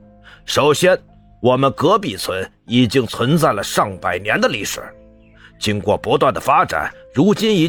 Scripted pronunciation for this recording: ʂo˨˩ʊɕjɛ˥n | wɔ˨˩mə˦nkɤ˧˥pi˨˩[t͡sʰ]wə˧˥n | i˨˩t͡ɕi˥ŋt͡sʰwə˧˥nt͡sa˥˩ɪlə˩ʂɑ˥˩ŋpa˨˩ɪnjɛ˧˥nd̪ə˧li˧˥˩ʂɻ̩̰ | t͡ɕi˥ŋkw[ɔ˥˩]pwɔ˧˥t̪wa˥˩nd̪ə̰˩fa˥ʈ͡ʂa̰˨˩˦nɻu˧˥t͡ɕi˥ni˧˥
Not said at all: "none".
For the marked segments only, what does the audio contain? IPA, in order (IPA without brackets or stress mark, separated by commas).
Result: t͡sʰ, ɔ˥˩